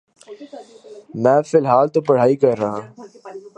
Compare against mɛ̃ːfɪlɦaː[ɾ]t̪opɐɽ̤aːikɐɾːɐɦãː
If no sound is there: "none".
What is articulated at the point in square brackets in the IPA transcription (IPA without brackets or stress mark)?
l